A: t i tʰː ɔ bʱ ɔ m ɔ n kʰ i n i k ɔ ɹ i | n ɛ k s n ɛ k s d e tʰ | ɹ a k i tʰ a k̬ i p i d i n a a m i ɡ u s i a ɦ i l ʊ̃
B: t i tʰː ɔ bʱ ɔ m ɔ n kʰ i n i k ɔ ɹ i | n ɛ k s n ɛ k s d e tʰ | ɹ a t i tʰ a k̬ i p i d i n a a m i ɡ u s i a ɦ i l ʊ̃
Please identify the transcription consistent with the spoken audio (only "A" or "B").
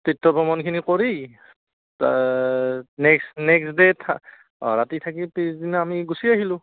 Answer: B